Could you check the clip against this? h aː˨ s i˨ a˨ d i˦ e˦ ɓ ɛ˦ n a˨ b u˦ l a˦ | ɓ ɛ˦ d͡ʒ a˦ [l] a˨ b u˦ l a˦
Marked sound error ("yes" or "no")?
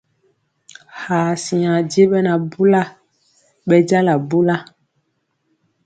no